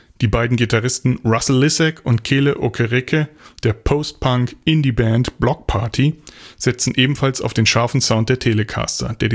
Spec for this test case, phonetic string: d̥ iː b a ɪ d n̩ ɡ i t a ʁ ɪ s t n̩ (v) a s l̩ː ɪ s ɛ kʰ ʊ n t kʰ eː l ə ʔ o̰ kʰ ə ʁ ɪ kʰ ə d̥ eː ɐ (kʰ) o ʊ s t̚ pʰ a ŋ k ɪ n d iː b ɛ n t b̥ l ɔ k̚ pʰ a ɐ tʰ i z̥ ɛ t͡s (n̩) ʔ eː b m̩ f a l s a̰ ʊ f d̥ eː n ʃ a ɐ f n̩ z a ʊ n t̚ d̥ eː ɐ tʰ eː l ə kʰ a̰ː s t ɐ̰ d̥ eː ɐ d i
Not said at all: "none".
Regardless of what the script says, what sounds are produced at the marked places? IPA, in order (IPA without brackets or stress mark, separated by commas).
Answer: ʁ, pʰ, n̩